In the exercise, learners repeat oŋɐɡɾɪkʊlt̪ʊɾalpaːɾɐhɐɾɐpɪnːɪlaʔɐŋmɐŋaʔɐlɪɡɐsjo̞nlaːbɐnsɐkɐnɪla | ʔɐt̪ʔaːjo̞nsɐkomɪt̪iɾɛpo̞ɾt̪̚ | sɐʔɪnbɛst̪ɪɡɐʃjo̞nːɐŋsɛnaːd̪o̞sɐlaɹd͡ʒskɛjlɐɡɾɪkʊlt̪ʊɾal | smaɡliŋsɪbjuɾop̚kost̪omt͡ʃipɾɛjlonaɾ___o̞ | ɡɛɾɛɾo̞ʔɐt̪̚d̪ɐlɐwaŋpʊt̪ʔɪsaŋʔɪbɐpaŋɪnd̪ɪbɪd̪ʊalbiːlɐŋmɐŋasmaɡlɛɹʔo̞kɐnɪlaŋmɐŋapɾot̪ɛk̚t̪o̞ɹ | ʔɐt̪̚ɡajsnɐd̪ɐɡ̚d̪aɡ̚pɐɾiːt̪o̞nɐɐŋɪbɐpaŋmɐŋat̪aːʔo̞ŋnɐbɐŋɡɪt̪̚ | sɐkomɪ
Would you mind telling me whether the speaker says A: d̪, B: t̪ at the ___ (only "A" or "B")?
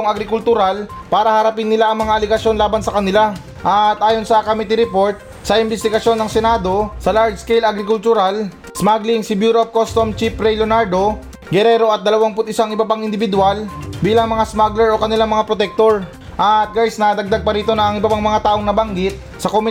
A